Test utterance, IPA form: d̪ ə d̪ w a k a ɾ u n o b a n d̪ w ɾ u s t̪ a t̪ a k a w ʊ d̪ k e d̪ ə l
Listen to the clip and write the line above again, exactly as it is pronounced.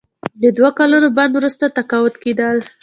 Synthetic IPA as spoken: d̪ ə d̪ w a k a l u n o b a n d̪ w ɾ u s t̪ a t̪ a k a w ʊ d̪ k e d̪ ə l